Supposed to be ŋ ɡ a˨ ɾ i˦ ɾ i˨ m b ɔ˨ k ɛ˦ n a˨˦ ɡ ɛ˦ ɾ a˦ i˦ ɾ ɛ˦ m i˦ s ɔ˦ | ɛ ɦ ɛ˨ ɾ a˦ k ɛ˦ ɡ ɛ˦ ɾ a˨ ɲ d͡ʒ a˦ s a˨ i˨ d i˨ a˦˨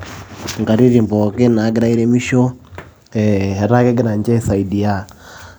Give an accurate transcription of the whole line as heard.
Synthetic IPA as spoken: ŋ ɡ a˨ ɾ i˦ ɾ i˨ m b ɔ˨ k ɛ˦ n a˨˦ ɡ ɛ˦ ɾ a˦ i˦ ɾ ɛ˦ m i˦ ʃ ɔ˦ | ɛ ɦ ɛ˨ ɾ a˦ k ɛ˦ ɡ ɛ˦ ɾ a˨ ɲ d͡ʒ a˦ s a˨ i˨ d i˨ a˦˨